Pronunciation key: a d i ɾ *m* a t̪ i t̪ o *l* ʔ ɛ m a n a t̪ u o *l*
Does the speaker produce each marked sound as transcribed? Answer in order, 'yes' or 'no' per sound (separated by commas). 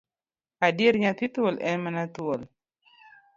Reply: no, yes, yes